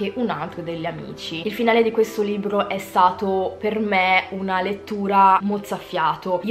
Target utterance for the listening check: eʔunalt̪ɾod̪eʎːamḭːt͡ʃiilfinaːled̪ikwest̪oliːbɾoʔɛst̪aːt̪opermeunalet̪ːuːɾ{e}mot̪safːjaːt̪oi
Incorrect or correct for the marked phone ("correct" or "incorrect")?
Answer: incorrect